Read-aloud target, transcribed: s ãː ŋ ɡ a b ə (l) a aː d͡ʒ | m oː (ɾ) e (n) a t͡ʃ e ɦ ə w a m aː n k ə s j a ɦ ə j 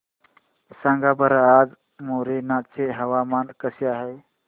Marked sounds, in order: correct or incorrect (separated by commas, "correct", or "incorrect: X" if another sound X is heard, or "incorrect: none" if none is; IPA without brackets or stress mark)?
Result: incorrect: ɾ, correct, correct